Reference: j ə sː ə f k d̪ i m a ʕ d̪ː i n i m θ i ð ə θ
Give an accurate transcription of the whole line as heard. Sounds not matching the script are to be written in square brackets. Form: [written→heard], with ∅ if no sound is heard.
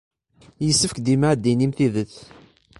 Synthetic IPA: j ə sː ə f k d̪ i m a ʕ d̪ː i n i m θ i ð ə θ

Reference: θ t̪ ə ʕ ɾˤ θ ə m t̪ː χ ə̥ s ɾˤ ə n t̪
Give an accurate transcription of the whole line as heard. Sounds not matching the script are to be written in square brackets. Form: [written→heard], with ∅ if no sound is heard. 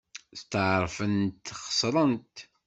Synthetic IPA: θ t̪ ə ʕ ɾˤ [θ→f] ə [m→n] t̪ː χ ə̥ s ɾˤ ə n t̪

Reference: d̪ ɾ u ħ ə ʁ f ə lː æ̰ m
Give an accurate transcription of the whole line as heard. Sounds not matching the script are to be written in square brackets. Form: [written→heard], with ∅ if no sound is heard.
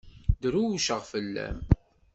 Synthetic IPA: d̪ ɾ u [ħ→ʃ] ə ʁ f ə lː æ̰ m

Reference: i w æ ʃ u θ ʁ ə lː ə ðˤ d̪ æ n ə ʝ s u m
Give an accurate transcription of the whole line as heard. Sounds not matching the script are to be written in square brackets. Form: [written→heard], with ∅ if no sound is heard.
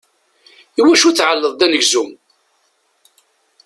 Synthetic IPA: i w æ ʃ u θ [ʁ→ʕ] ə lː ə ðˤ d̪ æ n ə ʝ [s→z] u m

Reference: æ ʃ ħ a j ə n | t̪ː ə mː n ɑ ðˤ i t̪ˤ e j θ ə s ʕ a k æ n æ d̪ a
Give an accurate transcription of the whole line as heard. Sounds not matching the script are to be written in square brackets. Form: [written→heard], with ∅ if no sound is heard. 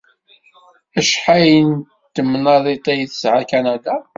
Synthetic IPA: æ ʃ ħ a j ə n | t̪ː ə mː n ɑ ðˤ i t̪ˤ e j θ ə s ʕ a k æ n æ d̪ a

